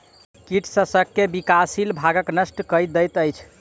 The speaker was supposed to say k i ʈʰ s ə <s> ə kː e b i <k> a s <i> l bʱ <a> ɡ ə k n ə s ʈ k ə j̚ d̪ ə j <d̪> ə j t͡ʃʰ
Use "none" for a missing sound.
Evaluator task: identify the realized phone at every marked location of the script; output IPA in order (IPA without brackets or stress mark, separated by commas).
s, k, i, a, t̪